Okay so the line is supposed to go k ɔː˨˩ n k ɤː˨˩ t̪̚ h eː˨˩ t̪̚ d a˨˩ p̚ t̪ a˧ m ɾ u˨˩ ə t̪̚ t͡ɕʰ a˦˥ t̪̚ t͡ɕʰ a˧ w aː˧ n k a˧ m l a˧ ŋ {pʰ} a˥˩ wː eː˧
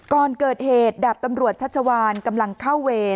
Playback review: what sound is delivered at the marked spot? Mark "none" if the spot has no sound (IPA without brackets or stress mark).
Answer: kʰ